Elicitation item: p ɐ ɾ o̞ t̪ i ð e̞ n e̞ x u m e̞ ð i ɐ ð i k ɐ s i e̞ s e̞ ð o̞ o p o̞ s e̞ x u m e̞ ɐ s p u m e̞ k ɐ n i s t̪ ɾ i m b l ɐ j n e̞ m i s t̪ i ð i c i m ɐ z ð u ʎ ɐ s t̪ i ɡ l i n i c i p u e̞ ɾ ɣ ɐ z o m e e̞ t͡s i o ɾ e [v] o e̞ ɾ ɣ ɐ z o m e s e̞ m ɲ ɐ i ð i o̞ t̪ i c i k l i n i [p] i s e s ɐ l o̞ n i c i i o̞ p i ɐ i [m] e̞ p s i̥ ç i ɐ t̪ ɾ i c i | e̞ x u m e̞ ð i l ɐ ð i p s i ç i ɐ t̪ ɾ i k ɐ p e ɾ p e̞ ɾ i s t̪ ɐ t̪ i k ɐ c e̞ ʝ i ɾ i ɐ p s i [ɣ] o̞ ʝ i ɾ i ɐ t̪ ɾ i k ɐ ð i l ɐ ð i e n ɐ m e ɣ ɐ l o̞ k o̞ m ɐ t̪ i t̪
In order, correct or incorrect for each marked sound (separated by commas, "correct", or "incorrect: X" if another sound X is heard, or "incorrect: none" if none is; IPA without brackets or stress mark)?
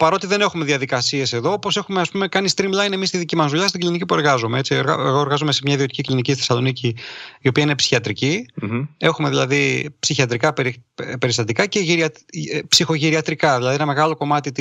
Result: incorrect: ɣ, incorrect: c, incorrect: n, incorrect: x